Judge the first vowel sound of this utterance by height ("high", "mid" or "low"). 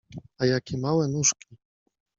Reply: low